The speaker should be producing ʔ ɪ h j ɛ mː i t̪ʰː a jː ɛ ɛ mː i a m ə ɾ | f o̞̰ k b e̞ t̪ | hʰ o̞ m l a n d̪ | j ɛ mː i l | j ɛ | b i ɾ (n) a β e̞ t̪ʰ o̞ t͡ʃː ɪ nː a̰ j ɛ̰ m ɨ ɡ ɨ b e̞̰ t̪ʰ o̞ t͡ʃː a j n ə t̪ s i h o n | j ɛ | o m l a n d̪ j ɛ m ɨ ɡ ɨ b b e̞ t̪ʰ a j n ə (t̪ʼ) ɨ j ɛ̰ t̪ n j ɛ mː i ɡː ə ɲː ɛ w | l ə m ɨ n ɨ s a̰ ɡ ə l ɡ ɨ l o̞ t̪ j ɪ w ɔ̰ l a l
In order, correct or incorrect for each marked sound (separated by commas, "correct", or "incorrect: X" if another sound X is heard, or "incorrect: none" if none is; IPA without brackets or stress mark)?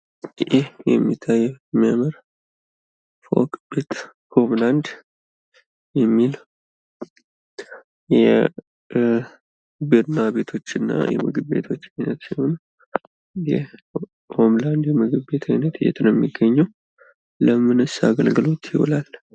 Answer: correct, incorrect: t̪